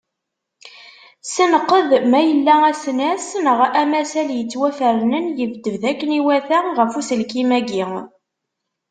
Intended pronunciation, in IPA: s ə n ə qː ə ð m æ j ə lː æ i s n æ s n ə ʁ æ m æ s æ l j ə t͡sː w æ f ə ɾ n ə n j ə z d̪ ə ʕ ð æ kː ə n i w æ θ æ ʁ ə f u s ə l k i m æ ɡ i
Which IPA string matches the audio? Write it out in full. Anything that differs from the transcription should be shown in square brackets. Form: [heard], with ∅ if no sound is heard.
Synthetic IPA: s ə n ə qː ə ð m æ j ə lː æ [æ] s n æ s n ə ʁ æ m æ s æ l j ə t͡sː w æ f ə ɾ n ə n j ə [v] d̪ ə [v] ð æ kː ə n i w æ θ æ ʁ ə f u s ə l k i m æ ɡ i